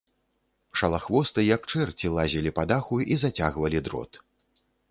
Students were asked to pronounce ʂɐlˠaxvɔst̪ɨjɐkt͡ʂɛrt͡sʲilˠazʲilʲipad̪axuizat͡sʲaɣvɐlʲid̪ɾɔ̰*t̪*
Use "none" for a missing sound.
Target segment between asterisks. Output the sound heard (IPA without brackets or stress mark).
t̪